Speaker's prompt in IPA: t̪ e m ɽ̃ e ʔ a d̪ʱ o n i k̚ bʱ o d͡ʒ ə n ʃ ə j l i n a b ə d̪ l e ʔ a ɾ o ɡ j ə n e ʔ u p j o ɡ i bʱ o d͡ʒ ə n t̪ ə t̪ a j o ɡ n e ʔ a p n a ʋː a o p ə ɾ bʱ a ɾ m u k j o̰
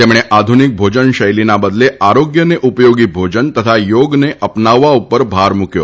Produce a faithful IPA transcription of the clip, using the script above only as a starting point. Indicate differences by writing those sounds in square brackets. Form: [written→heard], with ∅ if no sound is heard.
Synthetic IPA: t̪ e m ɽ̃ e ʔ a d̪ʱ [o→u] n i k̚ bʱ o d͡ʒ ə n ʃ ə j l i n a b ə d̪ l e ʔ a ɾ o ɡ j ə n e ʔ u p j o ɡ i bʱ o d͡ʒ ə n t̪ ə [t̪→t̪ʰ] a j o ɡ n e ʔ [a→ə] p n a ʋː a [o→u] p ə ɾ bʱ a ɾ m u k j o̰